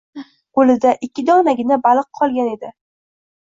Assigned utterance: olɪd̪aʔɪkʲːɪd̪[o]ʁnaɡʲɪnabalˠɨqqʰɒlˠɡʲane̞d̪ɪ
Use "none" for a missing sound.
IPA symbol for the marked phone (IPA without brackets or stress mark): ɒ